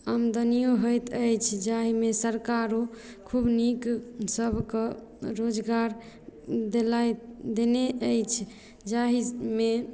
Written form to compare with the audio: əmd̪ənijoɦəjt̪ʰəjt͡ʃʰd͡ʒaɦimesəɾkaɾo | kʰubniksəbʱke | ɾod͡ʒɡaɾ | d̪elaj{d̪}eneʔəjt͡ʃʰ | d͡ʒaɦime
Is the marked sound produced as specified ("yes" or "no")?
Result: yes